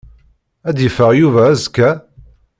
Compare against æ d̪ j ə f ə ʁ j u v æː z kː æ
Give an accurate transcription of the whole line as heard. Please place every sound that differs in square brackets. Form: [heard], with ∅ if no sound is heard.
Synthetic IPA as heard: æ d̪ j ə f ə ʁ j u v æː z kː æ